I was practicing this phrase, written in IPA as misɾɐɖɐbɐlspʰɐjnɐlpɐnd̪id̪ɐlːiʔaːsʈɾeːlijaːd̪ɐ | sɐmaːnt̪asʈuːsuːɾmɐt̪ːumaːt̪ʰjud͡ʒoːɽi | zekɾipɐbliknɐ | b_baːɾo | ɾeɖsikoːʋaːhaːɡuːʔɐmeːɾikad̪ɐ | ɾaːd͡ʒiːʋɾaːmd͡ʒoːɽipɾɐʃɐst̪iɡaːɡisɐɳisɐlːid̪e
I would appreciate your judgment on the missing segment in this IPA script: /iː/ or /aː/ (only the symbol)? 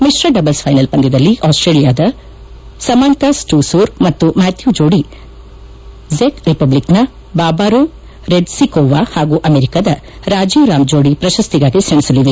aː